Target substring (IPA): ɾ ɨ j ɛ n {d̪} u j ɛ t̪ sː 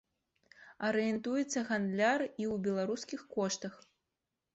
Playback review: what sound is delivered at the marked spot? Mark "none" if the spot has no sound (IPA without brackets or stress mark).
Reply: t̪